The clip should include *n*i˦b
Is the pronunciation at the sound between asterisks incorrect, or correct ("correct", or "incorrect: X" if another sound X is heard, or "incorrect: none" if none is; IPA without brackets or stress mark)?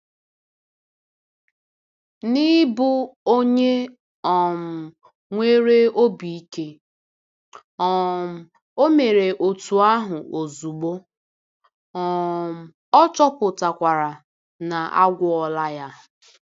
correct